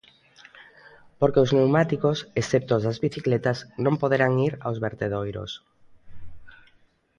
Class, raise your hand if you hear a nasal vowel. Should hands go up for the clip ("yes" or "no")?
yes